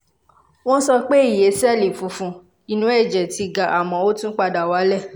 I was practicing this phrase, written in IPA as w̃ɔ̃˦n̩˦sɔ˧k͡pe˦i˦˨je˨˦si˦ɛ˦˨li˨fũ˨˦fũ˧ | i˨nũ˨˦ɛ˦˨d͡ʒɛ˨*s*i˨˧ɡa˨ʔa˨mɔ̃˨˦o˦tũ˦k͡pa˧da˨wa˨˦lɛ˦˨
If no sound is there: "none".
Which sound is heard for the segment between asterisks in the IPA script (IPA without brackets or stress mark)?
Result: t